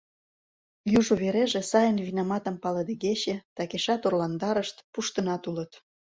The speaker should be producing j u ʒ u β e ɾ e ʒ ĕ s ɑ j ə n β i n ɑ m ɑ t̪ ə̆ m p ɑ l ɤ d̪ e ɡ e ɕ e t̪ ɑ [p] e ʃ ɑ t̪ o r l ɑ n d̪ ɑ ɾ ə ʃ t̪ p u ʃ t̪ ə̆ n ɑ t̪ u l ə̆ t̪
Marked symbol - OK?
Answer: no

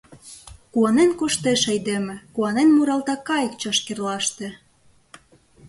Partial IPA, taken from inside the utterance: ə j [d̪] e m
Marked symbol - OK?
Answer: yes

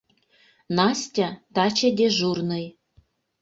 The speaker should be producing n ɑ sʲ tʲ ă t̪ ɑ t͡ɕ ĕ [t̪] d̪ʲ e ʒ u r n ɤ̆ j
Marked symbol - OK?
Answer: no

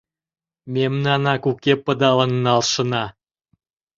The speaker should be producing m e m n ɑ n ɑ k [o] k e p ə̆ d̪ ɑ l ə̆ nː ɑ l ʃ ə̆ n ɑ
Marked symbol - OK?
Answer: no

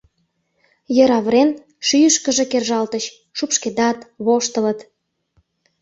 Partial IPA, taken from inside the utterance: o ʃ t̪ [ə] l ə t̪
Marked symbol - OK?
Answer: yes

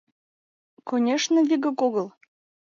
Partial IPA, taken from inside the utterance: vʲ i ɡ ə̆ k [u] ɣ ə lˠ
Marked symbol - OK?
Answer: no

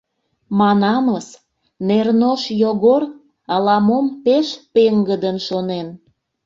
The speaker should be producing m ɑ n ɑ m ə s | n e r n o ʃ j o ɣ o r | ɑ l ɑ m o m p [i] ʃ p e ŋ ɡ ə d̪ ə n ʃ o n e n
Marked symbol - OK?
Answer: no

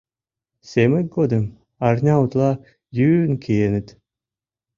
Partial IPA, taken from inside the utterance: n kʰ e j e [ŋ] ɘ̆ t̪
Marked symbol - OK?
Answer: no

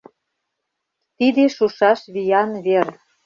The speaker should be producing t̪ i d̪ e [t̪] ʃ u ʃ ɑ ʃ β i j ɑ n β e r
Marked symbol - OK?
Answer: no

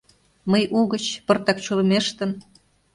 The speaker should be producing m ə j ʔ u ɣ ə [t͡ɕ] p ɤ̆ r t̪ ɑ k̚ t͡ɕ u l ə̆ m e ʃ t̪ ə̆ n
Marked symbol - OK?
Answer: yes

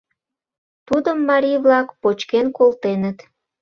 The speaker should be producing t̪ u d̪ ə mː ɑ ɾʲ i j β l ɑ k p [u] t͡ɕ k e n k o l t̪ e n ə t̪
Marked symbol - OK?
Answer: no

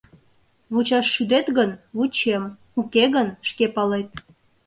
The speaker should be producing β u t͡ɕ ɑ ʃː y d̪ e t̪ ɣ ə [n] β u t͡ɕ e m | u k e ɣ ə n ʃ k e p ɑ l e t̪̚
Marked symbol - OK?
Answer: yes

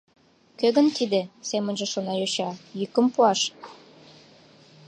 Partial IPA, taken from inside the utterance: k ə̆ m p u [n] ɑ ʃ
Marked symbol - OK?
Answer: no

